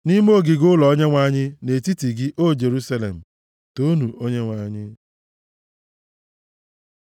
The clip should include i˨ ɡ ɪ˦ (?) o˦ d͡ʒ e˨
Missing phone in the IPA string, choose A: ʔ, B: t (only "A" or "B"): A